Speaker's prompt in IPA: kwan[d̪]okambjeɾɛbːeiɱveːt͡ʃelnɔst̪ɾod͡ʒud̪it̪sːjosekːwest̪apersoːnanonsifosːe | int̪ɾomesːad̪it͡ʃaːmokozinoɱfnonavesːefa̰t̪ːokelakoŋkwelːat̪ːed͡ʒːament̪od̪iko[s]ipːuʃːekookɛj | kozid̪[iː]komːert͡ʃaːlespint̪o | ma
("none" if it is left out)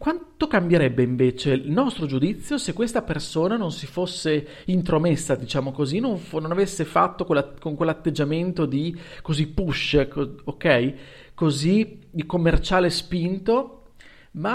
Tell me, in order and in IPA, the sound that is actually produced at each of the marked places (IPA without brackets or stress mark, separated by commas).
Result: t̪, z, i